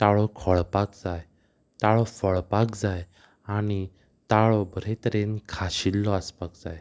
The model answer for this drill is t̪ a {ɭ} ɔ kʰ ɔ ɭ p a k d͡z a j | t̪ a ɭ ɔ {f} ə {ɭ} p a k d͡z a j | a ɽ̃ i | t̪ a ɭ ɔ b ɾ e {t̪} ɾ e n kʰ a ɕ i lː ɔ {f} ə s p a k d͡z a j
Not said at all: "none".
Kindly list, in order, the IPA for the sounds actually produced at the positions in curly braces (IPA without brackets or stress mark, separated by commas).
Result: ɭ, f, ɭ, t̪, none